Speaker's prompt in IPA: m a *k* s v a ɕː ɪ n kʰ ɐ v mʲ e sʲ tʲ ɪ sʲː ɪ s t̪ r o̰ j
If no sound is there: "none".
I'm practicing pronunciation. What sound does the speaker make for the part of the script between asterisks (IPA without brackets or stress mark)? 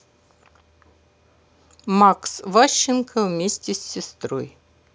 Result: k